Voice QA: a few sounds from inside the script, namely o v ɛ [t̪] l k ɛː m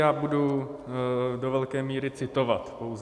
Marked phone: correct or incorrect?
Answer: incorrect